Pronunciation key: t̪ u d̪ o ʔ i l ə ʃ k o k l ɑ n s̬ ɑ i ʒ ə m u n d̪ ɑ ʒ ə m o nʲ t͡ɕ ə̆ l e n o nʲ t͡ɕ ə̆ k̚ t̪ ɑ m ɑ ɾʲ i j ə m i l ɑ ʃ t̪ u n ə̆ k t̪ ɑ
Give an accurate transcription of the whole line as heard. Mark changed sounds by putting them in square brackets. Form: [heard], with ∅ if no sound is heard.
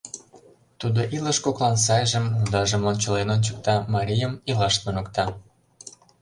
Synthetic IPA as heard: t̪ u d̪ o ʔ i l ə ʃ k o k l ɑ n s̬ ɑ [j] ʒ ə m u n d̪ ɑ ʒ ə m o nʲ t͡ɕ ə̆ l e n o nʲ t͡ɕ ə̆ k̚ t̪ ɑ m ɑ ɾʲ i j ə m i l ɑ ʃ t̪ u n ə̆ k t̪ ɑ